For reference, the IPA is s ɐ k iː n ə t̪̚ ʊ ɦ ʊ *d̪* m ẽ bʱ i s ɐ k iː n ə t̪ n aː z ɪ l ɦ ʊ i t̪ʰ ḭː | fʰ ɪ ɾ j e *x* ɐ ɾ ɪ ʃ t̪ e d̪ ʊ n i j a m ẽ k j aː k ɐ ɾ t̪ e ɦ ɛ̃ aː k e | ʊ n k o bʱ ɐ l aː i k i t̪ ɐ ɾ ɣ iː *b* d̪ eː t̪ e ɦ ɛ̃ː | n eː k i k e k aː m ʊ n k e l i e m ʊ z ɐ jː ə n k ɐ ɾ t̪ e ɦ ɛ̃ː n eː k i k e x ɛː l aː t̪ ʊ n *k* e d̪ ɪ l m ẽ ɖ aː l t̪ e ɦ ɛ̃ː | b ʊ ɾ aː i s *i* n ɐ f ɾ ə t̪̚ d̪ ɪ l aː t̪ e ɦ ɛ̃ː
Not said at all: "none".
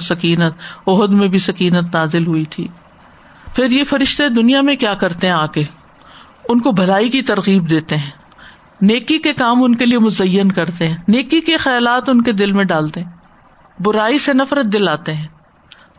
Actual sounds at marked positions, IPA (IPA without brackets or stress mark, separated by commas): d̪, f, b, k, e